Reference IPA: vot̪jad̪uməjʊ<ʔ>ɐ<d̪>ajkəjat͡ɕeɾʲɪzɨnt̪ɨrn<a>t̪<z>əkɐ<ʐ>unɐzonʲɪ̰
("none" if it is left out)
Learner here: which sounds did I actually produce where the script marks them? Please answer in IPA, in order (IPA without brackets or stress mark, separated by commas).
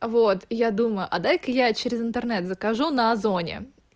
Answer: ʔ, d̪, ɛ, z, ʐ